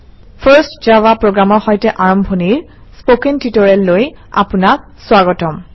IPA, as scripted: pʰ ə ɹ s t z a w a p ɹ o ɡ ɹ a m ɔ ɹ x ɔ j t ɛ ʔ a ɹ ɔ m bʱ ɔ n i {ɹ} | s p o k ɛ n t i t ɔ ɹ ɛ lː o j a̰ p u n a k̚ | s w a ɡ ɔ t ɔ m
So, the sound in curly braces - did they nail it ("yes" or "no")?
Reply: yes